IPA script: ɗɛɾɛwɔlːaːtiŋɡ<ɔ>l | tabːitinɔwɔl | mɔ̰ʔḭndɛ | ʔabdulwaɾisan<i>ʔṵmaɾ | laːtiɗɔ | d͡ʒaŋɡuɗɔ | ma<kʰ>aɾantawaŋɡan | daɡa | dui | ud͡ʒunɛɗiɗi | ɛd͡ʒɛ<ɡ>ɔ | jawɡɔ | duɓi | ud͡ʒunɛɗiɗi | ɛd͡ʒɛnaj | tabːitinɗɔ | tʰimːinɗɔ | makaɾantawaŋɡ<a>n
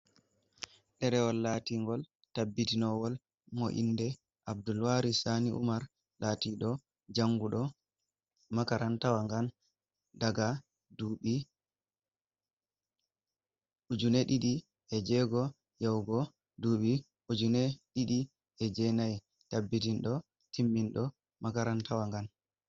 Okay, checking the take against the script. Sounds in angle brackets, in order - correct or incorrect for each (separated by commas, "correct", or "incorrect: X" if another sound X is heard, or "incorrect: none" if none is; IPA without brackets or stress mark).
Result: correct, correct, incorrect: k, correct, correct